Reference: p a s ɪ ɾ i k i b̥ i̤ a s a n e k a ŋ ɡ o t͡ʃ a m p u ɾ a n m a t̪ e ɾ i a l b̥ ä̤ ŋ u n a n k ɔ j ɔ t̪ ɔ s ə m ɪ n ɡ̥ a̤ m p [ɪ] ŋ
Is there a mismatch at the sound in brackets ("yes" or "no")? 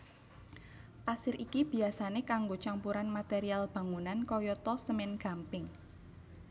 no